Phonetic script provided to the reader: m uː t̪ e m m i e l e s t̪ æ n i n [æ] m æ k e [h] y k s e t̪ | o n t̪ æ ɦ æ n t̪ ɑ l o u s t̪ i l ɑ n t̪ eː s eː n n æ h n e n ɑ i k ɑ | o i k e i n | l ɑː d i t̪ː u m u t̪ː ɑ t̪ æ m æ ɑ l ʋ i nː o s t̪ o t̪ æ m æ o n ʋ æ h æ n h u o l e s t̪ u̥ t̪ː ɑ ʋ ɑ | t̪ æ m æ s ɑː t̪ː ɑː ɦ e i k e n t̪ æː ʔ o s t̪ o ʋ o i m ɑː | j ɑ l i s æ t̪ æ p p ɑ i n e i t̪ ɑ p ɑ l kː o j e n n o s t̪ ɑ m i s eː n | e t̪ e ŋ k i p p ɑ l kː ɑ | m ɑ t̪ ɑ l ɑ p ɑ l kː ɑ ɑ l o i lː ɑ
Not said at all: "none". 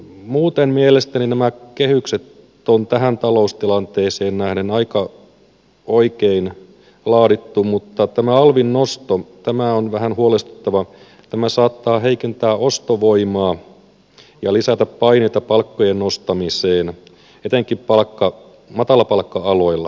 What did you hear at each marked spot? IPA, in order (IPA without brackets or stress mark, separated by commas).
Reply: æ, h